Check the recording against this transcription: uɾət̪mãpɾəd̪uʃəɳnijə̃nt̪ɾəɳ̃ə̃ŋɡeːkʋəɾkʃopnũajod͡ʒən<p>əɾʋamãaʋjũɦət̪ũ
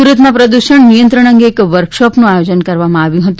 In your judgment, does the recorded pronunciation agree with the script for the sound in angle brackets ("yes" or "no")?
no